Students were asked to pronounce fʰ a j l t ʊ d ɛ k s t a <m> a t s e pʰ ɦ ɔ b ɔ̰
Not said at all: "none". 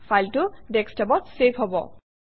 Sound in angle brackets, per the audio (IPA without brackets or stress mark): b